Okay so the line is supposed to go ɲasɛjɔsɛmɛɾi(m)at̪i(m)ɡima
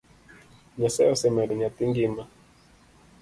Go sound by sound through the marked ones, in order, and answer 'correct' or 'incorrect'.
incorrect: ɲ, incorrect: ŋ

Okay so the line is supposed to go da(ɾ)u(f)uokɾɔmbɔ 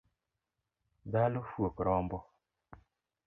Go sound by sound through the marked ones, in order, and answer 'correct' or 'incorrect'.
incorrect: l, correct

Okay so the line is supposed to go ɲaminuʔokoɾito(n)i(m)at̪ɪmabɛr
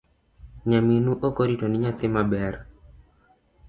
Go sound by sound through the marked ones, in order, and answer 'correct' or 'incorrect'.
correct, incorrect: ɲ

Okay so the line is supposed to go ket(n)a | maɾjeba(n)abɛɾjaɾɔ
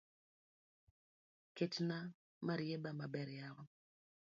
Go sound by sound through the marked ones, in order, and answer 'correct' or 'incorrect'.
correct, incorrect: m

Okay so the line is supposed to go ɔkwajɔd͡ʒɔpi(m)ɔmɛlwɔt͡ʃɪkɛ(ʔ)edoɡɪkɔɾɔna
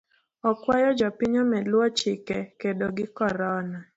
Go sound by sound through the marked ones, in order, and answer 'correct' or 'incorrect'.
incorrect: ɲ, incorrect: k

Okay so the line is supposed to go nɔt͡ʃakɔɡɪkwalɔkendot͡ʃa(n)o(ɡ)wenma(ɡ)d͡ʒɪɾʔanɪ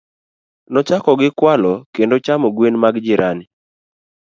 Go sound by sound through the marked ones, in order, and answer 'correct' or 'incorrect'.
incorrect: m, correct, correct

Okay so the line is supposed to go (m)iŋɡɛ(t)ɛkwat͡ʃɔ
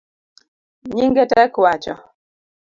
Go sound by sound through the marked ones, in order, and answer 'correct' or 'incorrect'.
incorrect: ɲ, correct

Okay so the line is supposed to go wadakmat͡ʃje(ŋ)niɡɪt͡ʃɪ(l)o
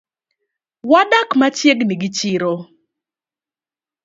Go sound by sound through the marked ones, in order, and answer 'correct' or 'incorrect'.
incorrect: ɡ, incorrect: ɾ

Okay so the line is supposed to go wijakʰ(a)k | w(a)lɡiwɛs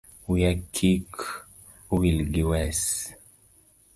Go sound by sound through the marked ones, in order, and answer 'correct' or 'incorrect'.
incorrect: i, incorrect: i

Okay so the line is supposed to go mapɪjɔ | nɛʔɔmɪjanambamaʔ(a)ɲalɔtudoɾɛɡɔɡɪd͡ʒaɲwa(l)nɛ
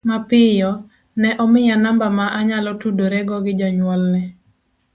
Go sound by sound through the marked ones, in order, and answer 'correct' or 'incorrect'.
correct, correct

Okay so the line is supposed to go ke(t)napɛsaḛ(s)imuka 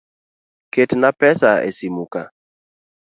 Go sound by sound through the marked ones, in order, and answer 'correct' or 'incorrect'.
correct, correct

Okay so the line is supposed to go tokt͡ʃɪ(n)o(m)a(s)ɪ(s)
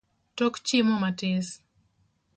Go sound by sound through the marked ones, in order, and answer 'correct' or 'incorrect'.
incorrect: m, correct, incorrect: t, correct

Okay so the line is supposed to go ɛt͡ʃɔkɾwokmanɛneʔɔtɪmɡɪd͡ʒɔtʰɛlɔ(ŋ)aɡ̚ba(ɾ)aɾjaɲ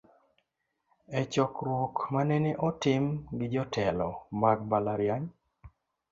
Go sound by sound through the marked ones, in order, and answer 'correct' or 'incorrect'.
incorrect: m, incorrect: l

